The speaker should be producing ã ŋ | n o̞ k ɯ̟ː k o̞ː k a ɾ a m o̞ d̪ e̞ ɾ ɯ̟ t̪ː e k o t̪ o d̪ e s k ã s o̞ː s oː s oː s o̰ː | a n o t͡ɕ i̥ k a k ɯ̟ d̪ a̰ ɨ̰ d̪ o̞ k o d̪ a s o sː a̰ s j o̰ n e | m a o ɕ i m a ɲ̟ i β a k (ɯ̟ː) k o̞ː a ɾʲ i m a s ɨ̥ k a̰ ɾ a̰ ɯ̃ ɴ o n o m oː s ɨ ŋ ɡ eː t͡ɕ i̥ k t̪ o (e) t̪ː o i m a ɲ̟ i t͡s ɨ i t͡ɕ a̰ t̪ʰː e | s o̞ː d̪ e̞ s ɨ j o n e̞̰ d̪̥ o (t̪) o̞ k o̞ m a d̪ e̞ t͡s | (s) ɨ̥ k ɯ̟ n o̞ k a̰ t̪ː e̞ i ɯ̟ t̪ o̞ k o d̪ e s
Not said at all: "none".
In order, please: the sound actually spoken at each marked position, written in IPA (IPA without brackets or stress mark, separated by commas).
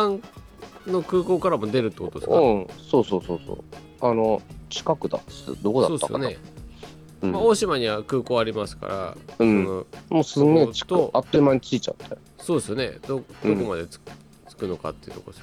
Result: ɯ̟ː, a, d̪, t͡s